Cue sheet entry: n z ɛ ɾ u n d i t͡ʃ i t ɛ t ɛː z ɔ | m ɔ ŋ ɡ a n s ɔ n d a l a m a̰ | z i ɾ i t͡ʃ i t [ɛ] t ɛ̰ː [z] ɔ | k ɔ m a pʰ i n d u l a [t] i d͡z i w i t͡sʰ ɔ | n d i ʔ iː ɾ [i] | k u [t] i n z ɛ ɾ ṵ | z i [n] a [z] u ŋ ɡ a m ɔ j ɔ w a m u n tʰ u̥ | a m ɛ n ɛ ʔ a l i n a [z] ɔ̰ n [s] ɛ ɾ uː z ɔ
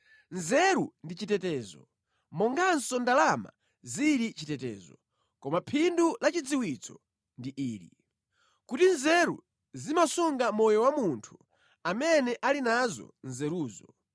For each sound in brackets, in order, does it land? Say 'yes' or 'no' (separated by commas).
yes, yes, no, yes, yes, no, no, yes, no